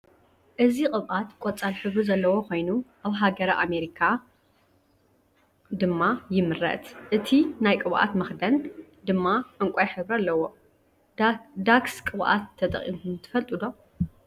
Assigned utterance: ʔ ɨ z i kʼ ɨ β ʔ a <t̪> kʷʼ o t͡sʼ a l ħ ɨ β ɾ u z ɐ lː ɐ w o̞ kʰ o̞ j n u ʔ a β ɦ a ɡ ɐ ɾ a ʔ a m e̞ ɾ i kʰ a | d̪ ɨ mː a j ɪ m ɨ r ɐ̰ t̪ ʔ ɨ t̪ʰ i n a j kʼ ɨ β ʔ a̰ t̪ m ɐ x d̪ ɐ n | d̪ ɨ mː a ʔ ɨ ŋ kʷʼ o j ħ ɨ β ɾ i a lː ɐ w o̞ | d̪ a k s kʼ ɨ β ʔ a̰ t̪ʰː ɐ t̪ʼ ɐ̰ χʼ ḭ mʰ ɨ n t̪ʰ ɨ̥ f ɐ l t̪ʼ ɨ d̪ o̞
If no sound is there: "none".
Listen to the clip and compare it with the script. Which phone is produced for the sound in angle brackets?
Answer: t̪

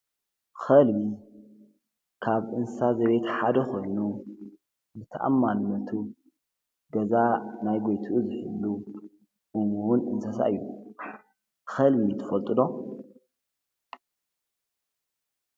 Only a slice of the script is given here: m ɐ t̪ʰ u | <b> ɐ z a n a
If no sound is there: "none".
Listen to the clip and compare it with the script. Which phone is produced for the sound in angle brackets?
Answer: ɡ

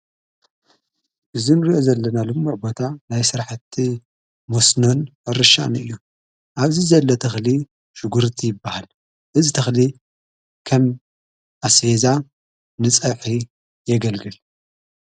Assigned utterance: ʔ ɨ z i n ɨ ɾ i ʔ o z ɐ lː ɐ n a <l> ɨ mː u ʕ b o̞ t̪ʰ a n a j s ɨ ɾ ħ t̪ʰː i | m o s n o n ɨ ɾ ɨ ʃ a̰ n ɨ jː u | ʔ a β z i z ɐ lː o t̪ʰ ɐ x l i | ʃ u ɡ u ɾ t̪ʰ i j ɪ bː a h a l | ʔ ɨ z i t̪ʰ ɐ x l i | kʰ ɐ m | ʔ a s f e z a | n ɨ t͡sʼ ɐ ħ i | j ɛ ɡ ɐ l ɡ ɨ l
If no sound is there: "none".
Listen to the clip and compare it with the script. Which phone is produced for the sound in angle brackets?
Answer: l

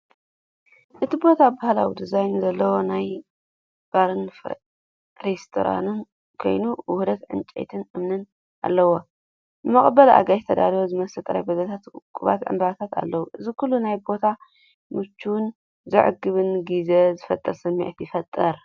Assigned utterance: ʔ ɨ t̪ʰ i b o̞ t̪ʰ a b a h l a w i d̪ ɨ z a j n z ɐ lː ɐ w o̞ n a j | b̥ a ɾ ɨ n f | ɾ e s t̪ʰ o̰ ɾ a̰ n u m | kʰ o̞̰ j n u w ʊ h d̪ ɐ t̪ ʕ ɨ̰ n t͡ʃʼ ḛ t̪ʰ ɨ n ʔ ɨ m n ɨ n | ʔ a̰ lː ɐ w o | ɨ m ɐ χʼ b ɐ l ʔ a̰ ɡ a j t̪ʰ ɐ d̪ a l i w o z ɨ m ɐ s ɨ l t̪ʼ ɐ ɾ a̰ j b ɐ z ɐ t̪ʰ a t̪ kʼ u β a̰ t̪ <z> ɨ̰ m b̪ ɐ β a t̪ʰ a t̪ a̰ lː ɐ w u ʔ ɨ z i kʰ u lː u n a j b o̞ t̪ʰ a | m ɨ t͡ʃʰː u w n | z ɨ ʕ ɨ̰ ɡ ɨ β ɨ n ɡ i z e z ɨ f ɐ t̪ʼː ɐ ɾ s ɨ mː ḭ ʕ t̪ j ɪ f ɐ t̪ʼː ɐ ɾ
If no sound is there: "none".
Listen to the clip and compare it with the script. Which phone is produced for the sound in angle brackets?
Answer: ʕ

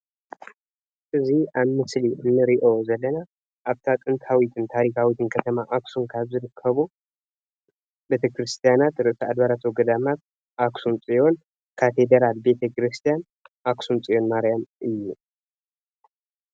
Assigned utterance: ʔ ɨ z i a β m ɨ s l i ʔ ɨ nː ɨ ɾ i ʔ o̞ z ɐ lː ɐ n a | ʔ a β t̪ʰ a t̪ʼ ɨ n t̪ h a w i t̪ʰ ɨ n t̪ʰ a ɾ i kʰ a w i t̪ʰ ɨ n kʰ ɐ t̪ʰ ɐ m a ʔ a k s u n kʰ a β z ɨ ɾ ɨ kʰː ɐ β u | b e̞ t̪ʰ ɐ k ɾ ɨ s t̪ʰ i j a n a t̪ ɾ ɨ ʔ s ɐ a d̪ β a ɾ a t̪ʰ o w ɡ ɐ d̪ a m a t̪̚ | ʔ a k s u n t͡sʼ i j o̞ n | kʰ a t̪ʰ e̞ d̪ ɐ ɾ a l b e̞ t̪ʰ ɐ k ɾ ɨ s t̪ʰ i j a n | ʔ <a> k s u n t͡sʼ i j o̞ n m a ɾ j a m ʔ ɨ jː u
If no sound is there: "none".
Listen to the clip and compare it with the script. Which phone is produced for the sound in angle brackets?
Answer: a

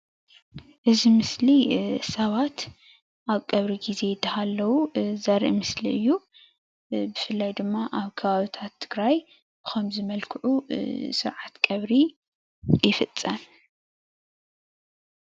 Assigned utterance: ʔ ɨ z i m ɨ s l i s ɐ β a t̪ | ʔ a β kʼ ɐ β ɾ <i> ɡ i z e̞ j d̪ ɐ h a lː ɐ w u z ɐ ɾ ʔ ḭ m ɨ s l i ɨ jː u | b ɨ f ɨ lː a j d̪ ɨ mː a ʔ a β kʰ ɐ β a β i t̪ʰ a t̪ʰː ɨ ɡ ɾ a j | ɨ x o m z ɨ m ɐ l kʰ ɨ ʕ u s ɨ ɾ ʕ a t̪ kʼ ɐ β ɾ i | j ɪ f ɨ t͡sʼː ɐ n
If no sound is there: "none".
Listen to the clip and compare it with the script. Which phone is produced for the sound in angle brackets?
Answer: i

